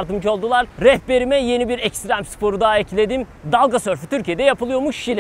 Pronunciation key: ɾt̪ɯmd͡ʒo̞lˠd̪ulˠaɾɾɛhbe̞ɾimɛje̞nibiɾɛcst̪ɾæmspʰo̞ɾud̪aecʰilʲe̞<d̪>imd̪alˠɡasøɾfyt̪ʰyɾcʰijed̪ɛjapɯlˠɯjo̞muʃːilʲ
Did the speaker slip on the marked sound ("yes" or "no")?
no